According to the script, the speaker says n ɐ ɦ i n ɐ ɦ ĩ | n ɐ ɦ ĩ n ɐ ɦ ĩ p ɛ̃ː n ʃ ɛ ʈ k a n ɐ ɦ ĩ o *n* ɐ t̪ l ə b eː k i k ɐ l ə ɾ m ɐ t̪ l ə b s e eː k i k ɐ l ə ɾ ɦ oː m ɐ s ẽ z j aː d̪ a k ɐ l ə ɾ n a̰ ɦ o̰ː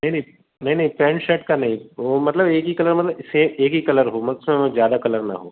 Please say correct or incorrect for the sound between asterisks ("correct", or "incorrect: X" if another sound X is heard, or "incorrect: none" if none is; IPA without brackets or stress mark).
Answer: incorrect: m